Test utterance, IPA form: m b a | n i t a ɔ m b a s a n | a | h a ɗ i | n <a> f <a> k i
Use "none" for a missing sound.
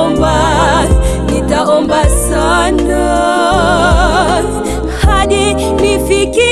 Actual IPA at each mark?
i, i

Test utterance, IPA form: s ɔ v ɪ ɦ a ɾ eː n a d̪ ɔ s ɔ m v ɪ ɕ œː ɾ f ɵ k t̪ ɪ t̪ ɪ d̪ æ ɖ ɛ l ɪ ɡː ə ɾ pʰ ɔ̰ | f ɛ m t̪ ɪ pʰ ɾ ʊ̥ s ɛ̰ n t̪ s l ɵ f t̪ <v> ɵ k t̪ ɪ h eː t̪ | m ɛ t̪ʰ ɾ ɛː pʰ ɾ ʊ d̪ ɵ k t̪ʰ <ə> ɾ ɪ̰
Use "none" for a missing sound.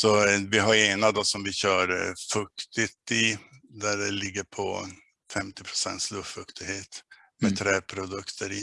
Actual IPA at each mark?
f, ə

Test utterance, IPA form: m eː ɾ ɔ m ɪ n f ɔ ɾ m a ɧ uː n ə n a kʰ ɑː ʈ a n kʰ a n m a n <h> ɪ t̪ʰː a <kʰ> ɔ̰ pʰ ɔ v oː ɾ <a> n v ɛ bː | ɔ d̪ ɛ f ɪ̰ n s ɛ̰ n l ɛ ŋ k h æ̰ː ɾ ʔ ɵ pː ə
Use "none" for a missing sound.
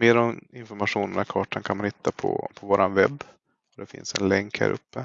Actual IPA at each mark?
h, pʰ, a

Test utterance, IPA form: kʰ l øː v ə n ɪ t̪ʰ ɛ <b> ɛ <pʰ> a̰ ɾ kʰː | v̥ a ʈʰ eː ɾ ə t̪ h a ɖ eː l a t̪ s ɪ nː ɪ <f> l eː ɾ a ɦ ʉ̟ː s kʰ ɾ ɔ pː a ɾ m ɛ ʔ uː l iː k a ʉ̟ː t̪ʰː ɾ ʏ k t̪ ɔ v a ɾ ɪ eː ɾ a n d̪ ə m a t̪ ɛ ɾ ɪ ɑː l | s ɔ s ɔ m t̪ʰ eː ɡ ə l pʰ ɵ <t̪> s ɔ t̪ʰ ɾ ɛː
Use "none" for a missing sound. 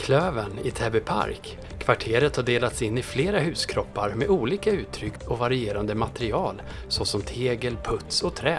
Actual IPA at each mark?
b, pʰ, f, t̪

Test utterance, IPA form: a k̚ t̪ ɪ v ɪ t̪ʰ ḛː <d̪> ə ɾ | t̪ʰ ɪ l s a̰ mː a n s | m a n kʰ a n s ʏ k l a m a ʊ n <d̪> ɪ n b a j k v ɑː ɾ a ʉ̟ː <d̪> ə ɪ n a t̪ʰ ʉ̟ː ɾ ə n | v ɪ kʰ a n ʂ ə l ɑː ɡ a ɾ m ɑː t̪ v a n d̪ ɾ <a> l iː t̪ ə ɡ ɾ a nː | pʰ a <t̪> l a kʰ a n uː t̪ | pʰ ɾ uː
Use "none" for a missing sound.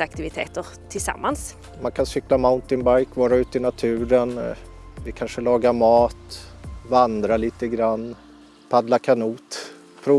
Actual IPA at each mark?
t̪, t̪, t̪, a, d̪

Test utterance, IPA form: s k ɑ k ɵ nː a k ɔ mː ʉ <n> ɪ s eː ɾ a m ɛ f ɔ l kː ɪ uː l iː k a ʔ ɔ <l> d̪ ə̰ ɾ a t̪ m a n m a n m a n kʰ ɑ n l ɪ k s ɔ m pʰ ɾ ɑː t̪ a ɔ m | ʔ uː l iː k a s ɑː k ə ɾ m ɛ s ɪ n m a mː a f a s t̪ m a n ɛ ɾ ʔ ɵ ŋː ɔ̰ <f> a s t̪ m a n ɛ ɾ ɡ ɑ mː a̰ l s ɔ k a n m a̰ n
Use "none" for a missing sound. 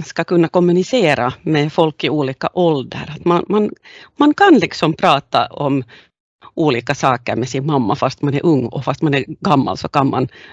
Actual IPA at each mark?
n, l, f

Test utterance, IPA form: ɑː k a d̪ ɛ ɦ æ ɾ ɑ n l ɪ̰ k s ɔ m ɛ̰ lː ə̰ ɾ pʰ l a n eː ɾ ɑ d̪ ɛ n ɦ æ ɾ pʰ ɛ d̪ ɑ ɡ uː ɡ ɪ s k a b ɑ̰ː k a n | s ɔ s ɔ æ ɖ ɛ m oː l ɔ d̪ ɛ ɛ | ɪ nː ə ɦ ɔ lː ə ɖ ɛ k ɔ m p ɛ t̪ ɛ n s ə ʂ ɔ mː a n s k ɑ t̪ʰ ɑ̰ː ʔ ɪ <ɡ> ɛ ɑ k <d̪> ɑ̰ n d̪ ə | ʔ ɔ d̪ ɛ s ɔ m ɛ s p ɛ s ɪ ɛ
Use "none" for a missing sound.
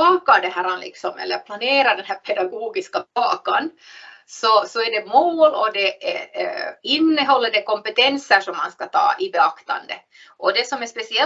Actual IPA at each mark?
b, t̪

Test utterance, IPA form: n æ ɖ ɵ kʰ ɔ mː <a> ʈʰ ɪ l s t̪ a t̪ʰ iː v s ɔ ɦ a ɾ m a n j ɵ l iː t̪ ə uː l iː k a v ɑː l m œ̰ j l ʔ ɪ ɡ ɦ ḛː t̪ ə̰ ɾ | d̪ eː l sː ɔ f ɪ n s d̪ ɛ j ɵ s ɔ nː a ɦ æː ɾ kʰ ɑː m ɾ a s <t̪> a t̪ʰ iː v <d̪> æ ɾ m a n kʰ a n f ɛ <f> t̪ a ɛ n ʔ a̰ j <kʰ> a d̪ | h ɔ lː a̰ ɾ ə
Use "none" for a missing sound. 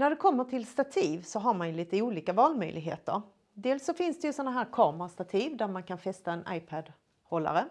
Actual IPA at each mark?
ə, t̪, d̪, s, pʰ

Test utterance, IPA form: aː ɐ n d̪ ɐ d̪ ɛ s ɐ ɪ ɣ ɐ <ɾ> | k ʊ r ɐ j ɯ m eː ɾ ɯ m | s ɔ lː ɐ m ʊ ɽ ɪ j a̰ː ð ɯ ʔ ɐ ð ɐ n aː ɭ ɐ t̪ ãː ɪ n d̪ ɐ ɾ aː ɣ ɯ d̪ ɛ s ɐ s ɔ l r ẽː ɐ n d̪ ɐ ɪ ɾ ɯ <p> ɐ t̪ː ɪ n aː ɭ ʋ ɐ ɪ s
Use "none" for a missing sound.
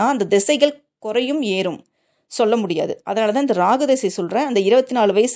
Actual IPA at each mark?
ɭ, b

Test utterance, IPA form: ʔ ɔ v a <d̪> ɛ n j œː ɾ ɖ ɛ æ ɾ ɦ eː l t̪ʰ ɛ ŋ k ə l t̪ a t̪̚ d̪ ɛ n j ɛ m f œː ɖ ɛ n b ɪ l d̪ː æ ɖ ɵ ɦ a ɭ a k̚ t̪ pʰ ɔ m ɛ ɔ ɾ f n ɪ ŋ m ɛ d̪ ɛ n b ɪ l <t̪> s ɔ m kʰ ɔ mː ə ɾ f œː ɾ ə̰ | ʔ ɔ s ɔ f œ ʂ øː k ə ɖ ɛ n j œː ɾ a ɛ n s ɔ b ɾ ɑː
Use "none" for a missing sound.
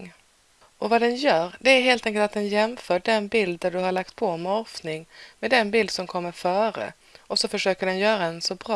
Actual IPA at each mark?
d̪, d̪

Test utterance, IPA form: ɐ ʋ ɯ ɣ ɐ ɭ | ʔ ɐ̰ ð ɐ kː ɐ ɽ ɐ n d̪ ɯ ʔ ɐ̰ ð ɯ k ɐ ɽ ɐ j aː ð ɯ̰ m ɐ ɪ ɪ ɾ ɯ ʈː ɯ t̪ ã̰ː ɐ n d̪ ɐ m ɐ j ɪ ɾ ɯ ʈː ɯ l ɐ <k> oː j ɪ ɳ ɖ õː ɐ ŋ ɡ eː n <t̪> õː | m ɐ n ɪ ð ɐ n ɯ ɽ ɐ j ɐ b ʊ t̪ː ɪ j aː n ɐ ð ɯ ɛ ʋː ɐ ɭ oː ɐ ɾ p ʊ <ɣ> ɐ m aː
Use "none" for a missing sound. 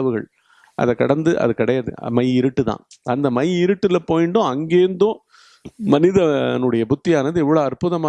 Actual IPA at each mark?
p, d̪, ð

